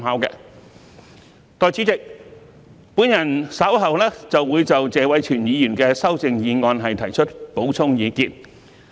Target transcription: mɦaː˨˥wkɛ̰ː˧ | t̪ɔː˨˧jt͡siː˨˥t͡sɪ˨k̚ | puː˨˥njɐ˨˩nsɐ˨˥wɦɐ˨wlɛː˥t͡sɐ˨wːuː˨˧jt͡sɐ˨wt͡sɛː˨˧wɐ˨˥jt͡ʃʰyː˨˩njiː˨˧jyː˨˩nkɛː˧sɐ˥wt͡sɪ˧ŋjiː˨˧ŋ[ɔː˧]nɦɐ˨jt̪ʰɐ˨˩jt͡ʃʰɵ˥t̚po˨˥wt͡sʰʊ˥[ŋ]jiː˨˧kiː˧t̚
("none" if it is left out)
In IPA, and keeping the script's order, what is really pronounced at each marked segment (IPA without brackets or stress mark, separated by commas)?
ɔː˧, ŋ